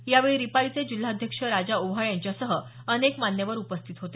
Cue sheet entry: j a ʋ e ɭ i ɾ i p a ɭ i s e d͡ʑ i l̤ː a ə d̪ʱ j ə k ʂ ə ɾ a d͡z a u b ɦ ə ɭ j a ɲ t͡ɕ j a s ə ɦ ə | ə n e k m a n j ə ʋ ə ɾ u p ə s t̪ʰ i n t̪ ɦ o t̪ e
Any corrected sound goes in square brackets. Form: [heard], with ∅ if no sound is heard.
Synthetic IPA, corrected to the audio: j a ʋ e ɭ i ɾ i p a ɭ i [t͡s] e d͡ʑ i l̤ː a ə d̪ʱ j ə k ʂ ə ɾ a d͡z a u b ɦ [a] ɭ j a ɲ t͡ɕ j a s ə ɦ ə | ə n e k m a n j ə ʋ ə ɾ u p ə s t̪ʰ i [∅] t̪ ɦ o t̪ e